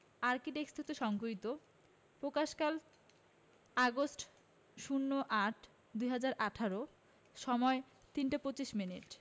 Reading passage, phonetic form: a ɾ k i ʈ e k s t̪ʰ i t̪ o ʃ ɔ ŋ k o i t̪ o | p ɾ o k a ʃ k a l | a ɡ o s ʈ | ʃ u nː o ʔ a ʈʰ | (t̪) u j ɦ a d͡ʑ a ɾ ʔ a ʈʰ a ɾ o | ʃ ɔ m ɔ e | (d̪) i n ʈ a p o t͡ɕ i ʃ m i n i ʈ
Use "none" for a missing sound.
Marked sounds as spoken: d̪, t̪

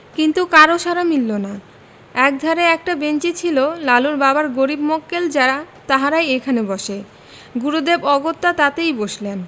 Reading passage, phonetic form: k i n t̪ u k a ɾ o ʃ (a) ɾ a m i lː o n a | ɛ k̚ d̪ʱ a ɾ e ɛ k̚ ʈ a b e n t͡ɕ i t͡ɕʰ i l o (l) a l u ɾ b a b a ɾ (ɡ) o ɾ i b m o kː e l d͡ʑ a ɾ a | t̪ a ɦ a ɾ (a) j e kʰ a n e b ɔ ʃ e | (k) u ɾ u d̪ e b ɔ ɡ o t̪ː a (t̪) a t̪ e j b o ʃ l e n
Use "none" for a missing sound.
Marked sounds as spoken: a, l, ɡ, a, ɡ, t̪

